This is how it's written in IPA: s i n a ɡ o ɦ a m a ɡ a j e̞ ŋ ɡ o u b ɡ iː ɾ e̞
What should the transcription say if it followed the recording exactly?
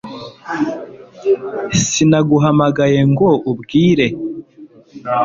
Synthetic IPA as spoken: s i n a ɡ u ɦ a m a ɡ a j e̞ ŋ ɡ o u b ɡ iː ɾ e̞

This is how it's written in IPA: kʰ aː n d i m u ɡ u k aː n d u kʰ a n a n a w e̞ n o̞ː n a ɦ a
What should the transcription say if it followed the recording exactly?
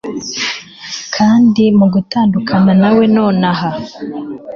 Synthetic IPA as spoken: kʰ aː n d i m u ɡ u t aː n d u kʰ a n a n a w e̞ n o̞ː n a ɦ a

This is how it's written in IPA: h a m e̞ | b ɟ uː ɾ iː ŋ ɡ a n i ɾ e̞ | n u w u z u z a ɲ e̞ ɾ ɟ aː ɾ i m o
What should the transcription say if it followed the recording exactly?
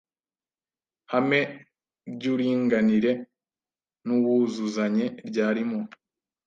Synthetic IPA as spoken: h a m e̞ | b ɟ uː ɾ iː ŋ ɡ a n i ɾ e̞ | n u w u z u z a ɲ e̞ ɾ ɟ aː ɾ i m o

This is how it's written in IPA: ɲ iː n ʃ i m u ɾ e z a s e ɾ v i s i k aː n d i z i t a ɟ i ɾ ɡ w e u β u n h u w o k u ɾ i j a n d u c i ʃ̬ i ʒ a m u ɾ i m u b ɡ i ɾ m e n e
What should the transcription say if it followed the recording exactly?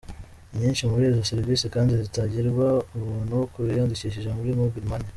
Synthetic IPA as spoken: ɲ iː n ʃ i m u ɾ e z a s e ɾ v i s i k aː n d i z i t a ɟ i ɾ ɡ w a u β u n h u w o k u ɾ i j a n d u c i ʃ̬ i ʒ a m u ɾ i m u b ɡ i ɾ m a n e

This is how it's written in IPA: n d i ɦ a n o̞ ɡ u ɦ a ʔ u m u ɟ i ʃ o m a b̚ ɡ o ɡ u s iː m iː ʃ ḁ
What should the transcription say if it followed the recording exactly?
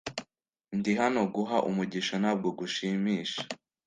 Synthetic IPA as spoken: n d i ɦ a n o̞ ɡ u ɦ a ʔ u m u ɟ i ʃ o n a b̚ ɡ o ɡ u ʃ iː m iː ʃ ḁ

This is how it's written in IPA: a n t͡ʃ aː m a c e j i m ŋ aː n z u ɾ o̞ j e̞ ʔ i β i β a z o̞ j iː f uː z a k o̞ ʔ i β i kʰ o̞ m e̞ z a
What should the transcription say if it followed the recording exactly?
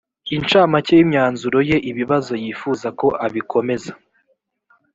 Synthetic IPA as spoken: i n t͡ʃ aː m a c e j i m ɲ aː n z u ɾ o̞ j e̞ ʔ i β i β a z o̞ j iː f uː z a k o̞ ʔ a β i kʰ o̞ m e̞ z a

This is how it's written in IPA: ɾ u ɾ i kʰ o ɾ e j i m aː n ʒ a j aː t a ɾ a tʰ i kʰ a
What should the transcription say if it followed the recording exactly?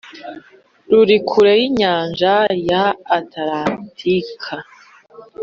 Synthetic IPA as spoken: ɾ u ɾ i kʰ u ɾ e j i ɲ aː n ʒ a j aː t a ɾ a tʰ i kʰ a

